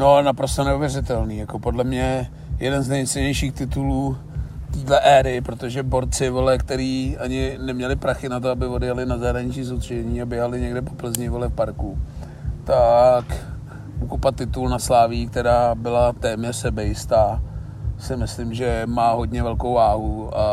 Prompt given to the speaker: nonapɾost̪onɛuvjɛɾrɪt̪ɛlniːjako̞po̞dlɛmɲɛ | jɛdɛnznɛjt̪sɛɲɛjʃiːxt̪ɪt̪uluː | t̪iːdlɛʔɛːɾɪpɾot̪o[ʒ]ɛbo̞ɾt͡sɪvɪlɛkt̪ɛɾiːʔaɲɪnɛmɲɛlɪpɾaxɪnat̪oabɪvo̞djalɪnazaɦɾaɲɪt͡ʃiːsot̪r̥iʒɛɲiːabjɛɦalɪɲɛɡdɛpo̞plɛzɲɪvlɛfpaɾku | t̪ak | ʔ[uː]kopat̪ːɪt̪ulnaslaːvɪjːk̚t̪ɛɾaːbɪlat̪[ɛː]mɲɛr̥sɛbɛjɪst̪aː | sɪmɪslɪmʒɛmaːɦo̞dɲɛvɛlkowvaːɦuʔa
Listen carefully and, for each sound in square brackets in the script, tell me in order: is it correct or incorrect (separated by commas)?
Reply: correct, incorrect, correct